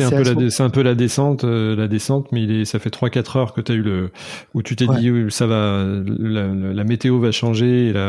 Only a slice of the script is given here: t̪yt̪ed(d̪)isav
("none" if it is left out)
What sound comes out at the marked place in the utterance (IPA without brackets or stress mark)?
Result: d̪